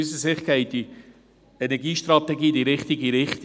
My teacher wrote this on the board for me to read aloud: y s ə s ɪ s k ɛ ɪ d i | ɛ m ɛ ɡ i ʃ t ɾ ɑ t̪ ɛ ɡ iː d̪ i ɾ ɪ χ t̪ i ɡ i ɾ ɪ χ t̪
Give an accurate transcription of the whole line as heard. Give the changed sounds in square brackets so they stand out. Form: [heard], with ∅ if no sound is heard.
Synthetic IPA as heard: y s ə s ɪ [χ] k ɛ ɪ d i | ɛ [n] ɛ ɡ [iː] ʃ t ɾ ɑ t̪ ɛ ɡ iː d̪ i ɾ ɪ χ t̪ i ɡ i ɾ ɪ χ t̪